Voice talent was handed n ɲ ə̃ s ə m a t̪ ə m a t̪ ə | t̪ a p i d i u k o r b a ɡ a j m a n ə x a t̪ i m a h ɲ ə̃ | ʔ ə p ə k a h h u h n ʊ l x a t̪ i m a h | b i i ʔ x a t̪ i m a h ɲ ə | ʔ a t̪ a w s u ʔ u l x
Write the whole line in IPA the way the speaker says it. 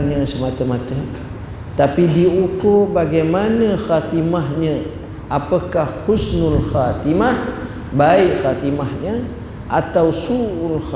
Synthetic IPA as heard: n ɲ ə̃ s ə m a t̪ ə m a t̪ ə | t̪ a p i d i u k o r b a ɡ a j m a n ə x a t̪ i m a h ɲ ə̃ | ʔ a p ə k a h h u s n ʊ l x a t̪ i m a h | b a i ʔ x a t̪ i m a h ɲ ə | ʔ a t̪ a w s u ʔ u l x